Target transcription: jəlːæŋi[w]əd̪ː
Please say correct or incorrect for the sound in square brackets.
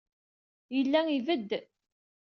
incorrect